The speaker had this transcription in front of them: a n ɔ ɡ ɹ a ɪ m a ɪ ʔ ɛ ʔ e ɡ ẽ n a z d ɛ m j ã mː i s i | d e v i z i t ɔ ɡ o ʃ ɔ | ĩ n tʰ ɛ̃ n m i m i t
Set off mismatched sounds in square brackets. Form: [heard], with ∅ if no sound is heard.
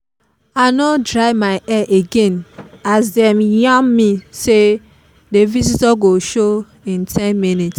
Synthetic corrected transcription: a n ɔ [d] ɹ a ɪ m a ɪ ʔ ɛ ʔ e ɡ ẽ n a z d ɛ m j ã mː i s [e] | d e v i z i t ɔ ɡ o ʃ [o] | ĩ n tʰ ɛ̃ n m i [n] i t

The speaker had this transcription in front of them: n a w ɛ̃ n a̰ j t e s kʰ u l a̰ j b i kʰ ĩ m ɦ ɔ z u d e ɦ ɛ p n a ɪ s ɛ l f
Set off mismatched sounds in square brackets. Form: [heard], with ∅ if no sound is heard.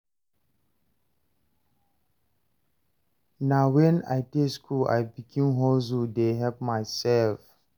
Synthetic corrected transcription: n a w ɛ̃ n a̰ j t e s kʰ u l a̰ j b i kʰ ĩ m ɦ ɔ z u d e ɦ ɛ p [m] a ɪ s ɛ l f

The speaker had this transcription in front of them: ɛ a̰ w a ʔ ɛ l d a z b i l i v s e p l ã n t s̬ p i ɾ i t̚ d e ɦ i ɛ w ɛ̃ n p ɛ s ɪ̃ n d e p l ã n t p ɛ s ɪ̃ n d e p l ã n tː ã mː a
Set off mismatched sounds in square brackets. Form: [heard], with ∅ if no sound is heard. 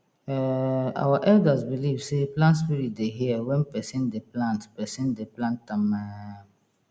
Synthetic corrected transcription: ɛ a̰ w a ʔ ɛ l d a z b i l i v s e p l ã n t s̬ p i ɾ i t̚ d e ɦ i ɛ w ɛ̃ n p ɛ s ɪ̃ n d e p l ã n t p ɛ s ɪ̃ n d e p l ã n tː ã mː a

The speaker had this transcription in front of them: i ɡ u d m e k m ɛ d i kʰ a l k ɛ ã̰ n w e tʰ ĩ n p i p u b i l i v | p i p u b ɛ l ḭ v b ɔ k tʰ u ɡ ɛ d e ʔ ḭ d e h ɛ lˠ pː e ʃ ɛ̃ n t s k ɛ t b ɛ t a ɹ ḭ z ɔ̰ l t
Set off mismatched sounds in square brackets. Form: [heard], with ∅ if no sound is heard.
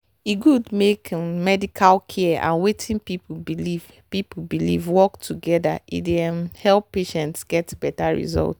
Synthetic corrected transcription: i ɡ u d m e k m ɛ d i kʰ a l [kʰ] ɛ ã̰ n w e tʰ ĩ n p i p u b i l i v | p i p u b [i] l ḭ v [w] ɔ k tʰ u ɡ ɛ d [a] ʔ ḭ d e h ɛ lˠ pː e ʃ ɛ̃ n t s [ɡ] ɛ t b ɛ t a ɹ ḭ z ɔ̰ l t

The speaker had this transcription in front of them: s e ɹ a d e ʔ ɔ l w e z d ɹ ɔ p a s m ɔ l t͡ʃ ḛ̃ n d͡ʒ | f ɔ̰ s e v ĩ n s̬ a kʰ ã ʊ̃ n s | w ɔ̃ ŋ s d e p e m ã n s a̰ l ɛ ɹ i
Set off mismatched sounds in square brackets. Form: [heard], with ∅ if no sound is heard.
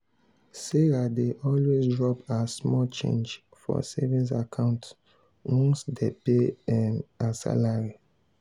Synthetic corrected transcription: s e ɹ a d e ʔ ɔ l w e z d ɹ ɔ p a s m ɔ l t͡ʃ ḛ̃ n d͡ʒ | f ɔ̰ s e v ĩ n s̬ a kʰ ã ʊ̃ n [t] | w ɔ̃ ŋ s d e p e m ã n s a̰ l [a] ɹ i

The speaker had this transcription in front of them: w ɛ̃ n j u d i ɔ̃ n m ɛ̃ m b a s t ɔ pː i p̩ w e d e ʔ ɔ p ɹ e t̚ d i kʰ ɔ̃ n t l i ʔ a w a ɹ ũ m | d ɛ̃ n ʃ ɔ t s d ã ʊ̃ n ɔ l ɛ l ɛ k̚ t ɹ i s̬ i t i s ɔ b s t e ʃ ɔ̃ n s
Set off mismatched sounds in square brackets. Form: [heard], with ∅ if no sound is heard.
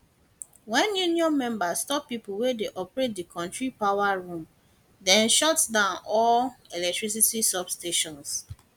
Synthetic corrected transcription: w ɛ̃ n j u [n] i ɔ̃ n m ɛ̃ m b a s t ɔ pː i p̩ w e d e ʔ ɔ p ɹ e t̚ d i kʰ ɔ̃ n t [ɹ] i [p] a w a ɹ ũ m | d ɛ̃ n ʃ ɔ t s d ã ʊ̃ n ɔ l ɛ l ɛ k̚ t ɹ i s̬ i t i s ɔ b s t e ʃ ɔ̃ n s

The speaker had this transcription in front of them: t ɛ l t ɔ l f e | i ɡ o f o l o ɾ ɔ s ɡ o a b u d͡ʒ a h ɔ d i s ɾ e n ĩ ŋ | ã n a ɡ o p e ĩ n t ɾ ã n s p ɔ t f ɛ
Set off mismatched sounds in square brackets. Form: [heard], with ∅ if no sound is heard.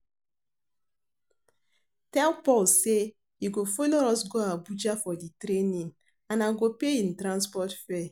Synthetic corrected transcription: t ɛ l [p] ɔ l [s] e | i ɡ o f o l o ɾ ɔ s ɡ o a b u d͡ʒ a [f] ɔ d i [t] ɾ e n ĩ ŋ | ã n a ɡ o p e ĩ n t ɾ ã n s p ɔ t f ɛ

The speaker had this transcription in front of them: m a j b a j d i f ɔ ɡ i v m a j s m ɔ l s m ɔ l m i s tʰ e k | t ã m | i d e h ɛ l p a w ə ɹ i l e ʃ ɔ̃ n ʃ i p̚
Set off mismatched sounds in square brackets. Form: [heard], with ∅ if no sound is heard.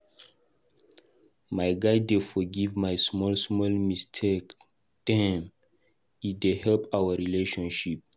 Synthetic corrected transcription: m a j [ɡ] a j d [e] f ɔ ɡ i v m a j s m ɔ l s m ɔ l m i s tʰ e k | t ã m | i d e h ɛ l p a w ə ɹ i l e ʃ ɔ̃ n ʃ i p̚

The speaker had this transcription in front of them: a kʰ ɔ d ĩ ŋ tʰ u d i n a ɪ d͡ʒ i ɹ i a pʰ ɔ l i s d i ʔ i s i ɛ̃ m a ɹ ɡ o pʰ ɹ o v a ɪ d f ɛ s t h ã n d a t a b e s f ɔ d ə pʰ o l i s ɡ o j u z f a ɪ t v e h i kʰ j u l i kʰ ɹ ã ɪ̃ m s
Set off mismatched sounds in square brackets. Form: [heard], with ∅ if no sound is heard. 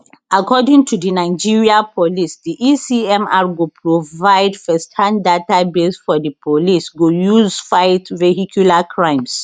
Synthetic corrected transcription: a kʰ ɔ d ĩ ŋ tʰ u d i n a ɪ d͡ʒ i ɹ i a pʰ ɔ l i s d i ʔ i s i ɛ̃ m a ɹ ɡ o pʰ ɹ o v a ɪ d f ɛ s t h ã n d a t a b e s f ɔ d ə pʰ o l i s ɡ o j u z f a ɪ t v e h i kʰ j u l [a] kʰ ɹ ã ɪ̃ m s

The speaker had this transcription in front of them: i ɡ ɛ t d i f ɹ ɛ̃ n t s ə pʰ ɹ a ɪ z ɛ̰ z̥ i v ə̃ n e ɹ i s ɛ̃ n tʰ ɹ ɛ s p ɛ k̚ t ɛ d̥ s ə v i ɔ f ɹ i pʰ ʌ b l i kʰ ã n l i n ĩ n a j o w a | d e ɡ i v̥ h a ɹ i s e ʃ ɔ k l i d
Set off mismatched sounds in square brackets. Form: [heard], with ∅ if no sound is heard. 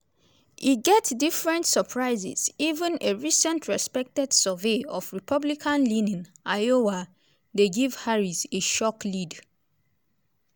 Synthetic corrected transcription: i ɡ ɛ t d i f ɹ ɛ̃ n t s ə pʰ ɹ a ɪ z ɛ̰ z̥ i v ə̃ n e ɹ i s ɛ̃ n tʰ ɹ ɛ s p ɛ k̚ t ɛ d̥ s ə v [e] ɔ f ɹ i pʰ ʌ b l i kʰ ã n l i n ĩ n a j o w a | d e ɡ i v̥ h a ɹ i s e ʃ ɔ k l i d

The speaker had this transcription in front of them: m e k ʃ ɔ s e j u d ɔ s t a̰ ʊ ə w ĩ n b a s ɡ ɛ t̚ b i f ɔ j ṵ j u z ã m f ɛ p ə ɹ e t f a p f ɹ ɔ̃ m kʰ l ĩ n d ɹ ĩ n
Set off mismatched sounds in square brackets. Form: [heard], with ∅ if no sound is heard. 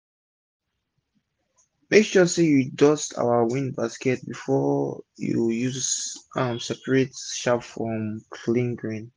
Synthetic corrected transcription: m e k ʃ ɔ s e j u d ɔ s t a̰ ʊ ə w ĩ n b a s [k] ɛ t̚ b i f ɔ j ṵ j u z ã m [s] ɛ p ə ɹ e t [ʃ] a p f ɹ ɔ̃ m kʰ l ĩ n [ɡ] ɹ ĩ n

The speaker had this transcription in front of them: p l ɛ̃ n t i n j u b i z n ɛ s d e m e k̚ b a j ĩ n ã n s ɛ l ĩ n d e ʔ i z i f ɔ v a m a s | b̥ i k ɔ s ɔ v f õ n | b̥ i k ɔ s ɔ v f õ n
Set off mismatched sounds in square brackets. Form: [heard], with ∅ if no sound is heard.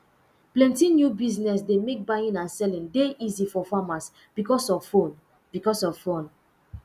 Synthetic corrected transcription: p l ɛ̃ n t i n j u b i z n ɛ s d e m e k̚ b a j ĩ n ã n s ɛ l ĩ n d e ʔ i z i f ɔ [f] a m a s | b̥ i k ɔ s ɔ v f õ n | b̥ i k ɔ s ɔ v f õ n

